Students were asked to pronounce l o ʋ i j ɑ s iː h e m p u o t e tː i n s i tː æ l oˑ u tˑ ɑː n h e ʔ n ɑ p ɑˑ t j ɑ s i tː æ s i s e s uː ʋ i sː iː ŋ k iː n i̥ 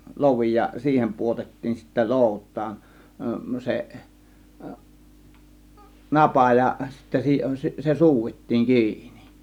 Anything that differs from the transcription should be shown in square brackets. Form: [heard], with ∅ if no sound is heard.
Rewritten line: l o ʋ i j ɑ s iː h e m p u o t e tː [iː] n s i tː æ l oˑ u tˑ ɑː n [s] e ʔ n ɑ p ɑˑ [∅] j ɑ s i tː æ s i s e s uː ʋ i [tː] iː ŋ k iː n i̥